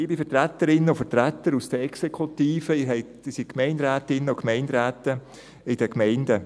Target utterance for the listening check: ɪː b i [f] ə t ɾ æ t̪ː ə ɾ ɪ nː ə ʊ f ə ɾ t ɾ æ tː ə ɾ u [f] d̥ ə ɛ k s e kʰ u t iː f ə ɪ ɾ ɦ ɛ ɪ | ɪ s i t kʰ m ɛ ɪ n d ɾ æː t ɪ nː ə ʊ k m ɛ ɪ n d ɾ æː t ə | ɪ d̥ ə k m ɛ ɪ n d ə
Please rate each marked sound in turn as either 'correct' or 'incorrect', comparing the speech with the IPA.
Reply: correct, incorrect: s

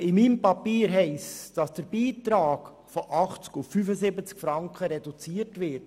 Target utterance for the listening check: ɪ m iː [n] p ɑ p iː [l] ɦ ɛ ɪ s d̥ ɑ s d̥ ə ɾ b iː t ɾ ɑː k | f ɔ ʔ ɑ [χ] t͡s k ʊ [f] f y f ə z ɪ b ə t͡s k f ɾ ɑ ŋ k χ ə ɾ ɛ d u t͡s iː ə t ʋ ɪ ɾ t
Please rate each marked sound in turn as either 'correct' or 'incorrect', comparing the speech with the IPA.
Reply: incorrect: m, incorrect: ɾ, correct, correct

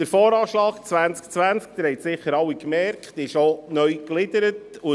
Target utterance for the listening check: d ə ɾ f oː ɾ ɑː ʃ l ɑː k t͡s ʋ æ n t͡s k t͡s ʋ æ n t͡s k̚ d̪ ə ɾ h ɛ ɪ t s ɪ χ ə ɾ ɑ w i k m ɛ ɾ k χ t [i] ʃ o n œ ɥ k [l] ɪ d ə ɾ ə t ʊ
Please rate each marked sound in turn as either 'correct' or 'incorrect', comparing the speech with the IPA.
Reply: incorrect: ɪ, correct

